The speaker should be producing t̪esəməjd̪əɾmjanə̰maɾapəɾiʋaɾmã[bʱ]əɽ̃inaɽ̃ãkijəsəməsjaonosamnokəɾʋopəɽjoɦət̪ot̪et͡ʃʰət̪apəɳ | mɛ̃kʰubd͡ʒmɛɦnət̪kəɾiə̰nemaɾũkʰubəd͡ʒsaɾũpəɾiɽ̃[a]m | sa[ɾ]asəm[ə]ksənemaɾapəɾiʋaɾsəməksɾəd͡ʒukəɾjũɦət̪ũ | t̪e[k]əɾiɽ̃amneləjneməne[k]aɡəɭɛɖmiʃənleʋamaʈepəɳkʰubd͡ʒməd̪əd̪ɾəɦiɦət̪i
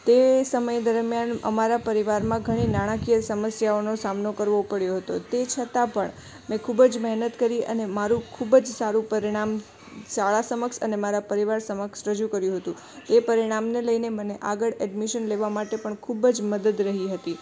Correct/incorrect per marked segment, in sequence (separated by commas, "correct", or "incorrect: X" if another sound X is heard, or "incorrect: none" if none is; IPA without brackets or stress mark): incorrect: ɡʱ, correct, incorrect: ɭ, correct, incorrect: p, incorrect: ʔ